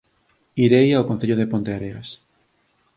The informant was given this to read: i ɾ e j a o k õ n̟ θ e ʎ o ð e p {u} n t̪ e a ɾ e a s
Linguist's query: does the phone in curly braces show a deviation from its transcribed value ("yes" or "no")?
yes